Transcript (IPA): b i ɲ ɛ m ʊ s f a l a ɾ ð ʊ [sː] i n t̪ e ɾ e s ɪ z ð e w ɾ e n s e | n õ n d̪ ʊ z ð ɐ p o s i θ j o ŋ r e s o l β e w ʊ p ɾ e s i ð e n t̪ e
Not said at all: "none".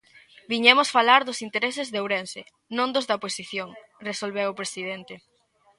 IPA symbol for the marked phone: s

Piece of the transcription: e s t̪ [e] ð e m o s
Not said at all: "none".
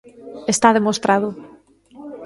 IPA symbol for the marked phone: a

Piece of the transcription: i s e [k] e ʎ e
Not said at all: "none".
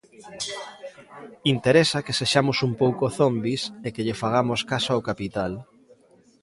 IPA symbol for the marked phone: k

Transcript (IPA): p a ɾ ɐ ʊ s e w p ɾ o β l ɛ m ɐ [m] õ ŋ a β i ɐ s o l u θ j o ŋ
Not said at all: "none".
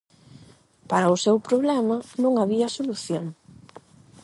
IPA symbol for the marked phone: n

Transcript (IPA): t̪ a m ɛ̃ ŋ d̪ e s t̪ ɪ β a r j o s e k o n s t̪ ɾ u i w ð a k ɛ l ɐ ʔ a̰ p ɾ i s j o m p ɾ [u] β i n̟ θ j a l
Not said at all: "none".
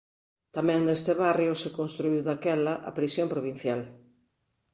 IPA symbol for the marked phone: o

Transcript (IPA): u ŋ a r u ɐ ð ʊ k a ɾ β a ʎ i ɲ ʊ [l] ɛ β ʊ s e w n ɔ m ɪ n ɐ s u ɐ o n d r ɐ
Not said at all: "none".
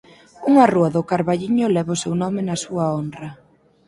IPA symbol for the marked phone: l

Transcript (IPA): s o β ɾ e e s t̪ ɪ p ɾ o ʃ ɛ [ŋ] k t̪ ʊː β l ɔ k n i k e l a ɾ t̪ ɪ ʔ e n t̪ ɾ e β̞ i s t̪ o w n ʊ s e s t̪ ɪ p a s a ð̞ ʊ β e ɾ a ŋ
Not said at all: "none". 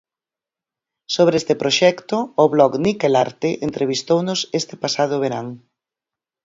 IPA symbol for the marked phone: none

